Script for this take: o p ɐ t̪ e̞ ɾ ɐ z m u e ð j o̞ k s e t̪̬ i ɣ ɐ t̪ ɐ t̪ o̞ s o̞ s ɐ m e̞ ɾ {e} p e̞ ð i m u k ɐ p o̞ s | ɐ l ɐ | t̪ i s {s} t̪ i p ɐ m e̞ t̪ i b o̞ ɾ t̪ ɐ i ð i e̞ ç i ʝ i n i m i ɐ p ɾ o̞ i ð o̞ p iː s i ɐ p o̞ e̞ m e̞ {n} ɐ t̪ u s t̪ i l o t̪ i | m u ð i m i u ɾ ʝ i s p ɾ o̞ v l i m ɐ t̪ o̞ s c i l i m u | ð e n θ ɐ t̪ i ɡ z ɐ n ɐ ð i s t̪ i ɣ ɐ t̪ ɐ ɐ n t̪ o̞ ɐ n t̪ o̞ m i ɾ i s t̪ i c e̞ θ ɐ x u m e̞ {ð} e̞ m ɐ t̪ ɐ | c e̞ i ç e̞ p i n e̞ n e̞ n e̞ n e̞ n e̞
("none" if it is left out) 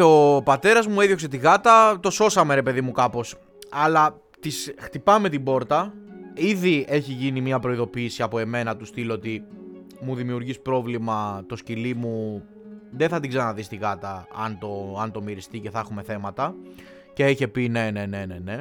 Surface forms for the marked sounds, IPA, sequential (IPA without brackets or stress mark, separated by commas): e, x, n, θ